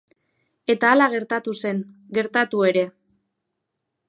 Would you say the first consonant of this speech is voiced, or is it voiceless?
voiceless